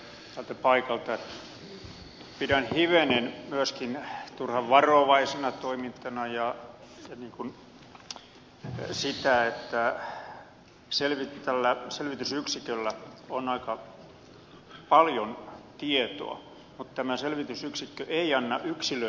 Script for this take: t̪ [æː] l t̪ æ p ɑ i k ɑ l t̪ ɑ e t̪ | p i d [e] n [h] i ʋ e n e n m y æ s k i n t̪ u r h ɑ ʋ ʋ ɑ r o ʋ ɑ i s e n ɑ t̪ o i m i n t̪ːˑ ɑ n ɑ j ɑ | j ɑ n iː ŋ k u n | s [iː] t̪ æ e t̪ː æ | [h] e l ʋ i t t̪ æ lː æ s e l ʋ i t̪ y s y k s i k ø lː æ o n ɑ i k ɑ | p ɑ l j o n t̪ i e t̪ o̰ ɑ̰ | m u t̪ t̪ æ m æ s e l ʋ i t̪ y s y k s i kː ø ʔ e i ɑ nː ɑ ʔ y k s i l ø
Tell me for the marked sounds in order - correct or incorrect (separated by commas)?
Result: incorrect, incorrect, correct, incorrect, incorrect